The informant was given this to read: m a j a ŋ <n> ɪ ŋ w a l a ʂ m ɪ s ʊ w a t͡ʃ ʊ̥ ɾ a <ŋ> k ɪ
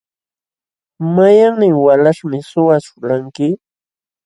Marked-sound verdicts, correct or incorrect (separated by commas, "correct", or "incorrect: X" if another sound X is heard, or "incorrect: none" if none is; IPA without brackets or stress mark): correct, correct